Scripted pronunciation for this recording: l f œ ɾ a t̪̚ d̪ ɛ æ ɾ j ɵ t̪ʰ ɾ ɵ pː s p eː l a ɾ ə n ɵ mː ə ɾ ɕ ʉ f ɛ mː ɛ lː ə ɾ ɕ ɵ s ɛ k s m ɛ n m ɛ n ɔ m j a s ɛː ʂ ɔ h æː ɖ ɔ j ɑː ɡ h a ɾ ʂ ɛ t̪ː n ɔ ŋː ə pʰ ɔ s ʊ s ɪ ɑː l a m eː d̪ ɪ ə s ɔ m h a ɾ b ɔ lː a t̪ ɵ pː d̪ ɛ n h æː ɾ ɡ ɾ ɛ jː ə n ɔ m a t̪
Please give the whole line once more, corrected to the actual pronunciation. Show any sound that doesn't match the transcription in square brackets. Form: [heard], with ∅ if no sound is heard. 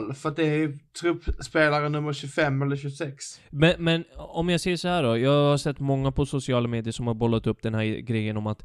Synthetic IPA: l f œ ɾ a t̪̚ d̪ ɛ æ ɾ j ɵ t̪ʰ ɾ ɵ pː s p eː l a ɾ ə n ɵ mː ə ɾ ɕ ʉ f ɛ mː ɛ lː ə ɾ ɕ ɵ s ɛ k s m ɛ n m ɛ n ɔ m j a s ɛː ʂ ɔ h æː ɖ ɔ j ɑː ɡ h a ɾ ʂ ɛ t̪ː [m] ɔ ŋː [a] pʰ ɔ s ʊ s ɪ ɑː l a m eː d̪ ɪ ə [ʂ] ɔ m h a ɾ b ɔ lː a t̪ ɵ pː d̪ ɛ n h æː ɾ ɡ ɾ ɛ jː ə n ɔ m a t̪